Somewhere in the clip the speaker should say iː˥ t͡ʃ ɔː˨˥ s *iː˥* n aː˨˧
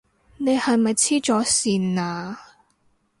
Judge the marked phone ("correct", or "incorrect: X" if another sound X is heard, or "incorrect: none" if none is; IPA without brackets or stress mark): incorrect: iː˨